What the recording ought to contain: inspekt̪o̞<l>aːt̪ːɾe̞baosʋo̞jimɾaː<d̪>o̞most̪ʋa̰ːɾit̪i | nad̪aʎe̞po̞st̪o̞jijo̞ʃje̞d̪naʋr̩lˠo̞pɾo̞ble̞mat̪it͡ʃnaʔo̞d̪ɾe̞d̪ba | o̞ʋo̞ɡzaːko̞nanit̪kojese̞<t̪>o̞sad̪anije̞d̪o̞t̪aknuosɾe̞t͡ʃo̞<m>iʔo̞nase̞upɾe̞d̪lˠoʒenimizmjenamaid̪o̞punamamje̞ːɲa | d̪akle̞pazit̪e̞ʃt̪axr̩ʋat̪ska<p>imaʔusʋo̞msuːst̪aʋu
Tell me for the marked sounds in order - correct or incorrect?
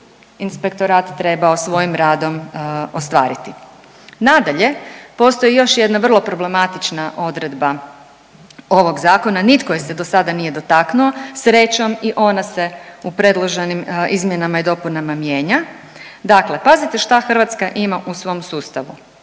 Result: incorrect: ɾ, correct, incorrect: d̪, correct, incorrect: ʔ

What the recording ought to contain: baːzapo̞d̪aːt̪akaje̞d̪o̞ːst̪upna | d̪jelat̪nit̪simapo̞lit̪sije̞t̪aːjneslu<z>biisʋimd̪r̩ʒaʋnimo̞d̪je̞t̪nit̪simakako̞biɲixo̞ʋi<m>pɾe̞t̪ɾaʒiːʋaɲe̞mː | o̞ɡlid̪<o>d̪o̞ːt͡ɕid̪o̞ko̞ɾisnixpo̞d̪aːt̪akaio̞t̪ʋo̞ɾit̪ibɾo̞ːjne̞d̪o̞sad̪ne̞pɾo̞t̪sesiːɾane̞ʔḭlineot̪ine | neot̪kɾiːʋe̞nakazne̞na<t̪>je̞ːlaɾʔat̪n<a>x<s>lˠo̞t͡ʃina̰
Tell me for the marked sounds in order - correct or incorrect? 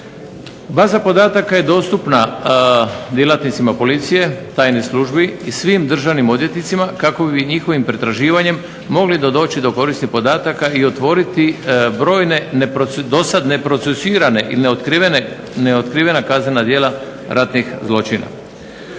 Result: incorrect: ʒ, correct, correct, incorrect: d̪, incorrect: i, incorrect: z

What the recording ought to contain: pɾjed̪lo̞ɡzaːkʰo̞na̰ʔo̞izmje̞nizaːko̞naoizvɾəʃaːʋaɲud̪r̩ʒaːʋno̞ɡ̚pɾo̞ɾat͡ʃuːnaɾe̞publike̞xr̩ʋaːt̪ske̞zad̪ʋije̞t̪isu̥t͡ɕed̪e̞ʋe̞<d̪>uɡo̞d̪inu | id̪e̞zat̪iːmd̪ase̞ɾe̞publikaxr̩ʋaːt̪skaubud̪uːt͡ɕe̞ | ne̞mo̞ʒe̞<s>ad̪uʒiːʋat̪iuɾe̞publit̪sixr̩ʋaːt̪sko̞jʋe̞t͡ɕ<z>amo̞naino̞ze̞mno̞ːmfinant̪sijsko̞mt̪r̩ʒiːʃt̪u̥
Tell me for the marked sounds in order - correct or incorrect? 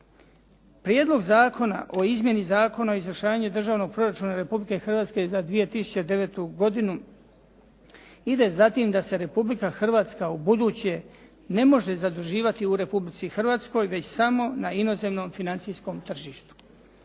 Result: incorrect: t̪, incorrect: z, incorrect: s

